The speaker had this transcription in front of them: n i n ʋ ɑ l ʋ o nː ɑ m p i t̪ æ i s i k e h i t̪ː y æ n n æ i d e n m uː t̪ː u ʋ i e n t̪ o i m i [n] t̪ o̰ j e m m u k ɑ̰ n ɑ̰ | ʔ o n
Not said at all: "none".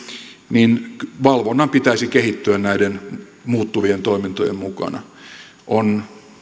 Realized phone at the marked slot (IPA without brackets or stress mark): n